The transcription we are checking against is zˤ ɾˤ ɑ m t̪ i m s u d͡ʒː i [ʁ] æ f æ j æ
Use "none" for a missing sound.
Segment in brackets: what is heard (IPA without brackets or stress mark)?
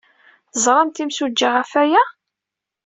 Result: ʁ